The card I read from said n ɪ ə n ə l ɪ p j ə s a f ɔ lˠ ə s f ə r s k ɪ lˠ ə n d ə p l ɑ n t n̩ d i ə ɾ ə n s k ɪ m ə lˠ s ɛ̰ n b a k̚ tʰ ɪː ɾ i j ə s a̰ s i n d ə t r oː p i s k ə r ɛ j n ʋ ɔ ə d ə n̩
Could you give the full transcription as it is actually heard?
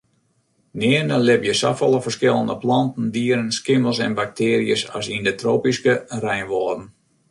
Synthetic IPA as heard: n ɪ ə n ə l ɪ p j ə s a f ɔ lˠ ə f ə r s k ɪ lˠ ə n d ə p l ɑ n t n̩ d i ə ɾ ə n s k ɪ m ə lˠ s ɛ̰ n b a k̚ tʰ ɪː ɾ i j ə s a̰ s i n d ə t r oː p i s k ə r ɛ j n ʋ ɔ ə d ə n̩